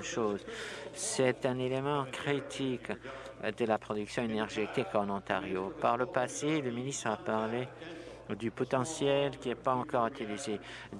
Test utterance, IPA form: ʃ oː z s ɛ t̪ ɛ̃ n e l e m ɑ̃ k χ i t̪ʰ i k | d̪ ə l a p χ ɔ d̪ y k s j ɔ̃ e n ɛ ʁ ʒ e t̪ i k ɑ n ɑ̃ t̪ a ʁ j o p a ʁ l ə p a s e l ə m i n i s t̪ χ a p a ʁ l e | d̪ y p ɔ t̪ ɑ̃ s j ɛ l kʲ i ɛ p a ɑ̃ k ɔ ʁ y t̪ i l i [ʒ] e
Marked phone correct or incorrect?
incorrect